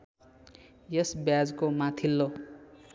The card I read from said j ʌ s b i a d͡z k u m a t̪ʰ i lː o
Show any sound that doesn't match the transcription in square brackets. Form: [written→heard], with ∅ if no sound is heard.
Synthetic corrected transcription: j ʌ s b [i→j] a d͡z k [u→o] m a t̪ʰ i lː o